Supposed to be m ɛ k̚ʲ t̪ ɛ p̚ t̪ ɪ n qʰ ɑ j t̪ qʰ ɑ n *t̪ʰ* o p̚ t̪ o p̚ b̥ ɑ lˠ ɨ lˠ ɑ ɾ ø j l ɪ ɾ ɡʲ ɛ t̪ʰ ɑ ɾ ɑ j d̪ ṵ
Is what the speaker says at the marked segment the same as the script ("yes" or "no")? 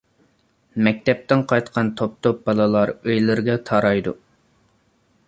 yes